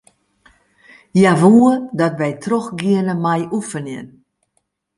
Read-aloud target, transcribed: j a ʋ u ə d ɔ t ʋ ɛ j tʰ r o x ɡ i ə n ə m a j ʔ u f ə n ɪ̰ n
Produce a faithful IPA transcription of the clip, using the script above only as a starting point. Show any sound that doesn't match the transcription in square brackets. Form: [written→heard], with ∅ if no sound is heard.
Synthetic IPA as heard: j a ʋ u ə d ɔ t ʋ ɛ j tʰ r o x ɡ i ə n ə m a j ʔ u f ə n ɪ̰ n